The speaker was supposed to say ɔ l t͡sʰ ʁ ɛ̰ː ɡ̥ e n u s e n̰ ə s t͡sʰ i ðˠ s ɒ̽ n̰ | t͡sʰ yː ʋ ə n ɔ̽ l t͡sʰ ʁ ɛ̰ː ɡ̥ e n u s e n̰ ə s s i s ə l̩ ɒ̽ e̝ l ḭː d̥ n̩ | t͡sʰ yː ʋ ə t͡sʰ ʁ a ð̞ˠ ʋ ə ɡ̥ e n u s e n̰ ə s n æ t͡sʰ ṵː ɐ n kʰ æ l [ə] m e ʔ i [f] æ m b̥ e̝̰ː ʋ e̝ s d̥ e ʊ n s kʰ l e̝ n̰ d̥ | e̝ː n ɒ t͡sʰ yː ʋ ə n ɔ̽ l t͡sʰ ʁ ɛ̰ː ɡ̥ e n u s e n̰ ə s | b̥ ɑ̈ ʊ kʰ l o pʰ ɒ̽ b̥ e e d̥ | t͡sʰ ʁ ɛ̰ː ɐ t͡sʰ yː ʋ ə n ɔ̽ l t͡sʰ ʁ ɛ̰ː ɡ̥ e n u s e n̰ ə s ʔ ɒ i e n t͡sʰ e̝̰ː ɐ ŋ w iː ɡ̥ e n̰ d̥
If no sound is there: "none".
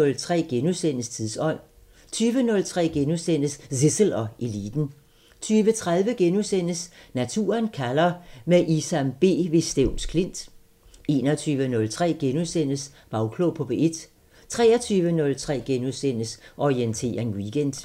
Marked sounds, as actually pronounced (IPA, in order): ɐ, s

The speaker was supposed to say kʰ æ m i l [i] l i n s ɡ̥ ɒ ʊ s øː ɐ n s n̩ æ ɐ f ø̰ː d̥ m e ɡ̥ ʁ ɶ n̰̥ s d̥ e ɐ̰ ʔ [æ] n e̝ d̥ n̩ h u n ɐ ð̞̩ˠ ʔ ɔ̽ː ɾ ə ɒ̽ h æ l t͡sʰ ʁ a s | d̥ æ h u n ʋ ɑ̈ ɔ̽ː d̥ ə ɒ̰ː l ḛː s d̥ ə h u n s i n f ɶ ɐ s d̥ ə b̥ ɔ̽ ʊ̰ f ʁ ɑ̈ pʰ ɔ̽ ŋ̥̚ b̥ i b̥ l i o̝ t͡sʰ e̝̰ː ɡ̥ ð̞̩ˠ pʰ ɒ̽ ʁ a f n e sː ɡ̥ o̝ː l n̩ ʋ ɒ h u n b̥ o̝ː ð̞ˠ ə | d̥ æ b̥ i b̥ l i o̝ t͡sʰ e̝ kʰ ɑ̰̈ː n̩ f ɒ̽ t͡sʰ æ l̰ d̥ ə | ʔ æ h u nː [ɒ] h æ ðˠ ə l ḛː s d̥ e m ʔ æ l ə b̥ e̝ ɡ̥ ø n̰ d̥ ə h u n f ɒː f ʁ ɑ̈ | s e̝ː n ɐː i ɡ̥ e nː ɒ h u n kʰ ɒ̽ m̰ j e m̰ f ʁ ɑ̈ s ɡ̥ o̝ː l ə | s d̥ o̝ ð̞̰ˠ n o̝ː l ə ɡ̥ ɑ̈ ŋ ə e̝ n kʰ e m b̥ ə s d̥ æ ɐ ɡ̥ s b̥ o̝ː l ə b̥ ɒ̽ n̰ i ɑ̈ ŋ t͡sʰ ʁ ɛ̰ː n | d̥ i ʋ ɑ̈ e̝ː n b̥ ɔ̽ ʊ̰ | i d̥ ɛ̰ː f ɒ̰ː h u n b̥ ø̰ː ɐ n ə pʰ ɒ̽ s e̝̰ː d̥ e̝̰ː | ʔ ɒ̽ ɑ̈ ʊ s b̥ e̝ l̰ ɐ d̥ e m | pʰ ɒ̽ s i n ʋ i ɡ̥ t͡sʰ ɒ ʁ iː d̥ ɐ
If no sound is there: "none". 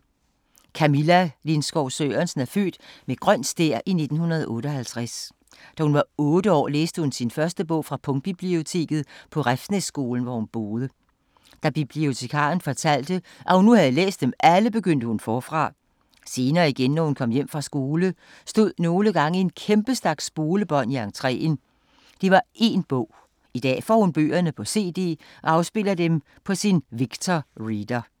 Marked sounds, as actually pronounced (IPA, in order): æ, i, u

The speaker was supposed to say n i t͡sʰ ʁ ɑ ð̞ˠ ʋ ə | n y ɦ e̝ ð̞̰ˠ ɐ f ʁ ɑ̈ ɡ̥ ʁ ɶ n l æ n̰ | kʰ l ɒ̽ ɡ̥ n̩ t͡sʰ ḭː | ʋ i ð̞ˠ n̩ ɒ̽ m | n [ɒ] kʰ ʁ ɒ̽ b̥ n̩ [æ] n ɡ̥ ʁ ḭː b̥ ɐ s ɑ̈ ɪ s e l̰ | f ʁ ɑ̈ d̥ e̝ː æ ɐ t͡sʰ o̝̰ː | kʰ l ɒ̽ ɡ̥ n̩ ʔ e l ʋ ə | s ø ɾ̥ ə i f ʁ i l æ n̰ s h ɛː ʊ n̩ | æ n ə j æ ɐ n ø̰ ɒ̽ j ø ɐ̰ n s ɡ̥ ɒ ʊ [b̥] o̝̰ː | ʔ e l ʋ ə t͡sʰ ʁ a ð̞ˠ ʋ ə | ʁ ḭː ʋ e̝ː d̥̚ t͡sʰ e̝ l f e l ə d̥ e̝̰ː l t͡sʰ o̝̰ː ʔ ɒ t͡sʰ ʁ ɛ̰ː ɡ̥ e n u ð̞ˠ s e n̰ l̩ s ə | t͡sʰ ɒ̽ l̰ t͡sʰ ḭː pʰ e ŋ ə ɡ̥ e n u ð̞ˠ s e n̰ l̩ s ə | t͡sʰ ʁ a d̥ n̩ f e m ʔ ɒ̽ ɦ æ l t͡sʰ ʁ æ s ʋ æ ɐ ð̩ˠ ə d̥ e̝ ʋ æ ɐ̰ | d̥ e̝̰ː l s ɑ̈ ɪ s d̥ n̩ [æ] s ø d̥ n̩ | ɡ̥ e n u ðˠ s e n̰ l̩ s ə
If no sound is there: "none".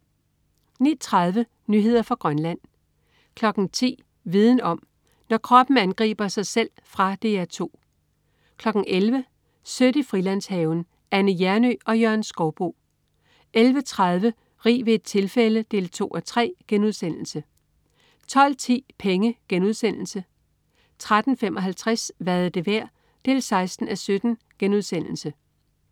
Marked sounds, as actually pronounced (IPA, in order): ɒ, æ, b̥, æ

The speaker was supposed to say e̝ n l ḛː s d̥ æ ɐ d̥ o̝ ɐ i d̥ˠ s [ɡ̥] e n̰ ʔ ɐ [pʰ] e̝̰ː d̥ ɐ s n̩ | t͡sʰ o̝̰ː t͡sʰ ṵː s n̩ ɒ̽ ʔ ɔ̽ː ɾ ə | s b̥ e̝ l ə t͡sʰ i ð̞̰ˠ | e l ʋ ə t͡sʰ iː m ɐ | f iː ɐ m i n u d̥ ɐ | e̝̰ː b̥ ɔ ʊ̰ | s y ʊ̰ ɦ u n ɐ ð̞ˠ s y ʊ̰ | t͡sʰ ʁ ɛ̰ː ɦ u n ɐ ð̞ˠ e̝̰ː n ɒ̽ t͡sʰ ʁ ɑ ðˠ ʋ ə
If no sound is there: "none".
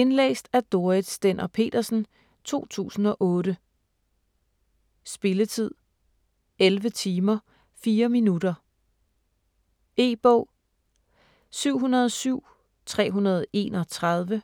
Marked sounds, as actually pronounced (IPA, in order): d̥, pʰ

